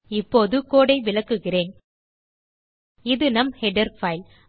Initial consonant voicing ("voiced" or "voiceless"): voiceless